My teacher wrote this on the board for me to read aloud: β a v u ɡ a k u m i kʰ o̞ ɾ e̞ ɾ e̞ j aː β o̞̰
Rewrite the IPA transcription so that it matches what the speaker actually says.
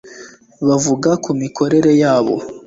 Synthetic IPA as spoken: β a v u ɡ a k u m i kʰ o̞ ɾ e̞ ɾ e̞ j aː β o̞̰

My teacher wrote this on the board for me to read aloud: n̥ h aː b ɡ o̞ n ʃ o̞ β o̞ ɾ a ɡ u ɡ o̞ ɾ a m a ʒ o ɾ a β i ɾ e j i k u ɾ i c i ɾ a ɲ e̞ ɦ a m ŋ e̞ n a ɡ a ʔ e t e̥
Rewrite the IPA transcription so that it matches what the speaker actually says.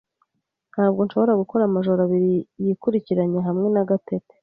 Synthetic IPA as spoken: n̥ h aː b ɡ o̞ n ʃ o̞ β o̞ ɾ a ɡ u k o̞ ɾ a m a ʒ o ɾ a β i ɾ i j i k u ɾ i c i ɾ a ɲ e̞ ɦ a m ŋ e̞ n a ɡ a t e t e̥

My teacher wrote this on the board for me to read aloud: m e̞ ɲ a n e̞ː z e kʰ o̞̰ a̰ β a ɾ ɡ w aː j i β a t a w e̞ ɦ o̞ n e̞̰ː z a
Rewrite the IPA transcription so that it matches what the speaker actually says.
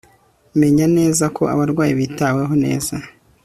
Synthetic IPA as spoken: m e̞ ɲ a n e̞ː z a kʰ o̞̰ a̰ β a ɾ ɡ w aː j i β i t a w e̞ ɦ o̞ n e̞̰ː z a

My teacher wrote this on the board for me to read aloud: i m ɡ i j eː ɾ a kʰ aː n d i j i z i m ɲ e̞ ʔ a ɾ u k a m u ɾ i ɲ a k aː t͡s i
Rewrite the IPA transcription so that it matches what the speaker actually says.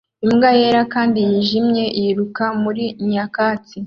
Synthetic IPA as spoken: i m ɡ a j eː ɾ a k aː n d i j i ʒ i m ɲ e̞ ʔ i ɾ u k a m u ɾ i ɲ a k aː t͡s i

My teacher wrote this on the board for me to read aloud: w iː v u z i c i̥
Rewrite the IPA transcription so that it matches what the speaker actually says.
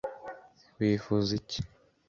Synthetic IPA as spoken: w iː f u z i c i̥

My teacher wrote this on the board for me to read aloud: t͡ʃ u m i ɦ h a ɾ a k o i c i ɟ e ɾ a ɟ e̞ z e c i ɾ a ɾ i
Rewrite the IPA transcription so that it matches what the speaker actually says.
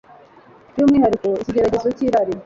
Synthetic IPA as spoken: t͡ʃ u m i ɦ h a ɾ i k o i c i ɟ e ɾ a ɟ e̞ z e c i ɾ a ɾ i

